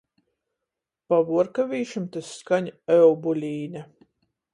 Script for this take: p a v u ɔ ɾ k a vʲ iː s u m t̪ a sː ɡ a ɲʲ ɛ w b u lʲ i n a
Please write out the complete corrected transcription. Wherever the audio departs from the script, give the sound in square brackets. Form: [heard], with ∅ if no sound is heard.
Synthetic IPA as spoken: p a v u ɔ ɾ k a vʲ iː [ʃ] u m t̪ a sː [k] a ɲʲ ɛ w b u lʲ [iː] n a